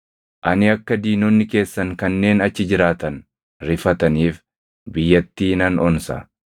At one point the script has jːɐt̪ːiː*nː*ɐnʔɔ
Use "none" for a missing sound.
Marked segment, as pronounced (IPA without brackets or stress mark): n